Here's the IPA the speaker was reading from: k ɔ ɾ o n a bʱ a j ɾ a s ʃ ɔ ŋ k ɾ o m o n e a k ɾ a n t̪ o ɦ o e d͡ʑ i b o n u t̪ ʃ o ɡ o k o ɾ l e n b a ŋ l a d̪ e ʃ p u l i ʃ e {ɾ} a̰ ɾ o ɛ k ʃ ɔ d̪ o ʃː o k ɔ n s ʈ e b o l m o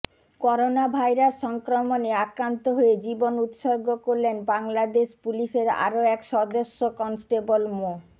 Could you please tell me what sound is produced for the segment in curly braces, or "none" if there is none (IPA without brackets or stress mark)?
ɾ